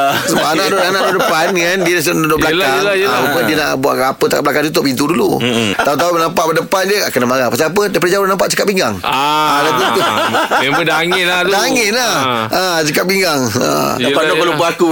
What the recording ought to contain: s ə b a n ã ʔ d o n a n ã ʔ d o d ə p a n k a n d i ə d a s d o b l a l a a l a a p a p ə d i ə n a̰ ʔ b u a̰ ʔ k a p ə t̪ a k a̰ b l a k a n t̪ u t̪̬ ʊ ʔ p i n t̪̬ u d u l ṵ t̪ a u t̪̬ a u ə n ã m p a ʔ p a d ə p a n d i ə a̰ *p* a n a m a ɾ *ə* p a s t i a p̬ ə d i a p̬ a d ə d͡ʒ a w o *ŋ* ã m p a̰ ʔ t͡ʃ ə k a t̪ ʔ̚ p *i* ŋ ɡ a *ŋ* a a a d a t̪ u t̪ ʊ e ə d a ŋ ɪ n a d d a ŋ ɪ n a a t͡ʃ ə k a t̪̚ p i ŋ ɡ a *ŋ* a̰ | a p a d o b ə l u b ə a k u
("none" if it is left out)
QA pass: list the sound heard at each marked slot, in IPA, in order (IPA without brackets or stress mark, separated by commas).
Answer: k, a, n, i, ŋ, ŋ